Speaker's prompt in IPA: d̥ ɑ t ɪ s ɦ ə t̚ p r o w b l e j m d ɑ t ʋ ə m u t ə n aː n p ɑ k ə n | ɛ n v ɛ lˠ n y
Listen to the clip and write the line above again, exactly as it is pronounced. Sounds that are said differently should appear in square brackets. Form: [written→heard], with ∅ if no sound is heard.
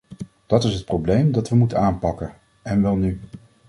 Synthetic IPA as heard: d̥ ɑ t ɪ s ɦ ə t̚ p r o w b l e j m d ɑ t ʋ ə m u t ə n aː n p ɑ k ə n | ɛ n [v→ʋ] ɛ lˠ n y